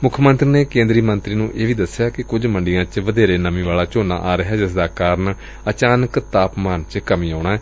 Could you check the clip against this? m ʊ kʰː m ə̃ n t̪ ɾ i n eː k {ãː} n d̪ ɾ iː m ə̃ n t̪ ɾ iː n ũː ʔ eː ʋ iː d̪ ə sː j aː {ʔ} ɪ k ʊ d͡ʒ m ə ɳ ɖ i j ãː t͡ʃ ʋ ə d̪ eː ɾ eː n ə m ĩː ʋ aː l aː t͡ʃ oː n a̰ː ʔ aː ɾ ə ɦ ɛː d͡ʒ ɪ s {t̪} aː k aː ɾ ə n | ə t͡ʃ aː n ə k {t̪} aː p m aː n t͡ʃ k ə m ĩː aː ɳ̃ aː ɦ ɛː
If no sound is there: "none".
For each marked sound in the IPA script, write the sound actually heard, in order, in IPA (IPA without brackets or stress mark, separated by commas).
ẽː, k, d̪, t̪